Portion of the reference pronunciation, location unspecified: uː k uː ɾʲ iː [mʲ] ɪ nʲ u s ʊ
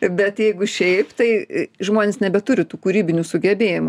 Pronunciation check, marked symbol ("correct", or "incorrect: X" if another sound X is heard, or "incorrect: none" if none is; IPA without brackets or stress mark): incorrect: bʲ